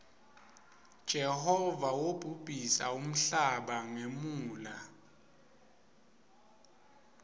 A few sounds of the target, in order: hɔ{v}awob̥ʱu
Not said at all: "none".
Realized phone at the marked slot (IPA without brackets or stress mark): v